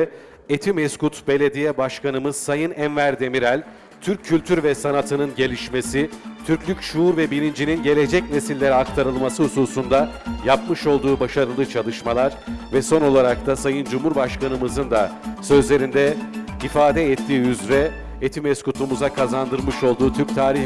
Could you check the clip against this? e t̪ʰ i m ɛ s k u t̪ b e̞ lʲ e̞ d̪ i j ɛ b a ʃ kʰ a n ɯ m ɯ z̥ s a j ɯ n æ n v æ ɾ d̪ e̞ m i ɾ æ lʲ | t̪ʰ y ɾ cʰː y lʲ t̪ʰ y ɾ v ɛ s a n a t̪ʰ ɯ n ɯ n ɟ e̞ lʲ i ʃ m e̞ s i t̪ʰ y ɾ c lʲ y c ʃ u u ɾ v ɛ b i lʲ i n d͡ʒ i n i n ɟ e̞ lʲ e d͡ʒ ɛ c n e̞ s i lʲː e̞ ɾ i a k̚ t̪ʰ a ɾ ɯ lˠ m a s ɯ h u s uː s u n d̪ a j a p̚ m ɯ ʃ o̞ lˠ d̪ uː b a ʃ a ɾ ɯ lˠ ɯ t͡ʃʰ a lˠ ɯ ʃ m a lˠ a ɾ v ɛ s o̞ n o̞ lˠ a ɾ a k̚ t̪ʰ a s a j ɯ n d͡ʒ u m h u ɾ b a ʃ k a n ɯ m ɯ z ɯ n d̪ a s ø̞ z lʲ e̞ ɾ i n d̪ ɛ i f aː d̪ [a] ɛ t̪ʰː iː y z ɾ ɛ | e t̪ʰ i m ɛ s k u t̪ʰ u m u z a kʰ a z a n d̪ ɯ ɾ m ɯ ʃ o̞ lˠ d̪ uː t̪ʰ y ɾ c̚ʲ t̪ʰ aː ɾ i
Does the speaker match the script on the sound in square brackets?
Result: no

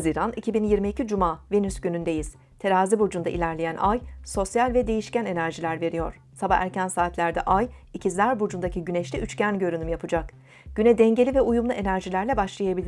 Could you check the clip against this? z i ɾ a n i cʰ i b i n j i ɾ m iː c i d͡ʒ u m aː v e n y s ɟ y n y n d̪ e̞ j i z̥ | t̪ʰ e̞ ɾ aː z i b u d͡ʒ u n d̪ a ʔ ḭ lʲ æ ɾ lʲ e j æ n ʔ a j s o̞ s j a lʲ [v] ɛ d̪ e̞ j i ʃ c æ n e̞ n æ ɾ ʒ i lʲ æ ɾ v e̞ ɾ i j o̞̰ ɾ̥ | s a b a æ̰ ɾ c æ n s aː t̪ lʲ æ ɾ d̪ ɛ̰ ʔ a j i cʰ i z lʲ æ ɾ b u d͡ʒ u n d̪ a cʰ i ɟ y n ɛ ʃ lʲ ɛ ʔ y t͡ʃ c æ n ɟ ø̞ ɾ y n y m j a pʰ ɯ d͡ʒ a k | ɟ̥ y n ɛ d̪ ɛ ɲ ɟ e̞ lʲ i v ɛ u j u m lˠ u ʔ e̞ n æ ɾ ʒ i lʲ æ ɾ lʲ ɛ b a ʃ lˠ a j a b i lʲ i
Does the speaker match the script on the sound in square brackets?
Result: yes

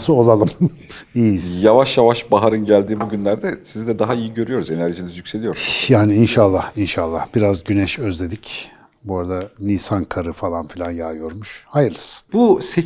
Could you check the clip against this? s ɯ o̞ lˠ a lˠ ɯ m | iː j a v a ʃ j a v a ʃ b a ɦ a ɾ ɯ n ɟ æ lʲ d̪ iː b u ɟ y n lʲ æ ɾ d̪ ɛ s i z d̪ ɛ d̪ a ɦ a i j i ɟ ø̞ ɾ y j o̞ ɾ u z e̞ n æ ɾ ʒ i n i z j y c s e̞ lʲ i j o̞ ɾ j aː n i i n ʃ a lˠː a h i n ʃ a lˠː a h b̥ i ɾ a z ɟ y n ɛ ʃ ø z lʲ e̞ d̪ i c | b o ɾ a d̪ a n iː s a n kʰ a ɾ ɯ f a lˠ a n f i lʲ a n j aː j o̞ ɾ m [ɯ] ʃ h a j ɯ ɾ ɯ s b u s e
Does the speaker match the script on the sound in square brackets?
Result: no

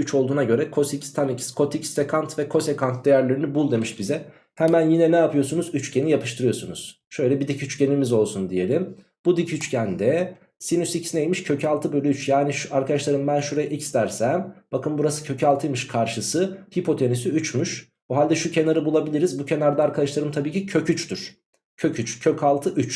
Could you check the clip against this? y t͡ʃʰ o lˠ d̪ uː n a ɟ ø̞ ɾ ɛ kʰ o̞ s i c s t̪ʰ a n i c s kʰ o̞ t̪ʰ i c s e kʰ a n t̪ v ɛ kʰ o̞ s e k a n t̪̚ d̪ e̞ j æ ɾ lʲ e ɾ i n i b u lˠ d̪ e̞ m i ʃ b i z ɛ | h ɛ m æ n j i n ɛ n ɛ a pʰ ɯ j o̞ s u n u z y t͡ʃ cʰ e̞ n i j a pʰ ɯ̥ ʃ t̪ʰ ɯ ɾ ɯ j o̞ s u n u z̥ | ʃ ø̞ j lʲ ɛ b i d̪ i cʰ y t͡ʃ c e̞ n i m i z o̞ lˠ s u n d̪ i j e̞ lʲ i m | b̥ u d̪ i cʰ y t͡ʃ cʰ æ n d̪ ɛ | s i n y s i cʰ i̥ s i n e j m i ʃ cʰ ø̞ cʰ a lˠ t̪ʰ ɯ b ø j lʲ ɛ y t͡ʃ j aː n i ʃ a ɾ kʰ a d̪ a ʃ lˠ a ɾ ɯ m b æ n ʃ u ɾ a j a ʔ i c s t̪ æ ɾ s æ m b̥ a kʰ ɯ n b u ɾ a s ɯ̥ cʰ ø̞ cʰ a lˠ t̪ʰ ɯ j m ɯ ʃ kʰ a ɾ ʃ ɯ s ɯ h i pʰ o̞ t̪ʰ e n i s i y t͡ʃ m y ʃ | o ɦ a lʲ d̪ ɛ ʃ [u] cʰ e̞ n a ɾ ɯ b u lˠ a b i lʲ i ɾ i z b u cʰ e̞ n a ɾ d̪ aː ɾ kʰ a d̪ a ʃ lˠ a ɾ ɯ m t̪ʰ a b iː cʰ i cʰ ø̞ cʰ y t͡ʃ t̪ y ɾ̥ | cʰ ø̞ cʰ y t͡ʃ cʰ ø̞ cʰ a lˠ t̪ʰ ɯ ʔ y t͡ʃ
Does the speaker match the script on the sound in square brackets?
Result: yes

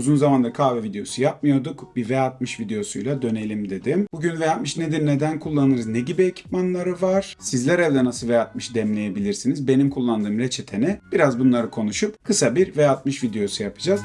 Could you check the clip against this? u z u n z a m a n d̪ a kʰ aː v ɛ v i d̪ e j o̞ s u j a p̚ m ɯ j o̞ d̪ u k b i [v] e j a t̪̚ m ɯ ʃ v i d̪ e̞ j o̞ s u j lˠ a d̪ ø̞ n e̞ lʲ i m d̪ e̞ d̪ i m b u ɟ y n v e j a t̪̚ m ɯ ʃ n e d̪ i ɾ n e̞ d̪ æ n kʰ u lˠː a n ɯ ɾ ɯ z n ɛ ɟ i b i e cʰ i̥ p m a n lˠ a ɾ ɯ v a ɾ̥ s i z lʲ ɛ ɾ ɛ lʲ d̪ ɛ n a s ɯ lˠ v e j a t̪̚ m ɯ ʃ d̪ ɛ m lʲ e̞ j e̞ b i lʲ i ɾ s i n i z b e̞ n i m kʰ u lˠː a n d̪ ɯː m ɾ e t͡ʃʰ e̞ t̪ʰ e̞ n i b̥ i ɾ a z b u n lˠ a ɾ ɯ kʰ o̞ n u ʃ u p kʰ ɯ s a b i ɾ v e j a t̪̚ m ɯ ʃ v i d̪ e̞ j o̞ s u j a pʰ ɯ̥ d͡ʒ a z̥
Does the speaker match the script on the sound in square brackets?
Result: yes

